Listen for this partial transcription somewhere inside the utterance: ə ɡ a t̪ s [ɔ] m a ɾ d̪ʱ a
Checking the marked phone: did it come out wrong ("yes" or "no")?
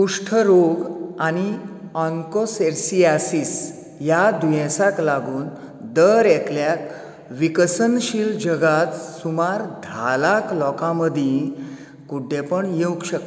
yes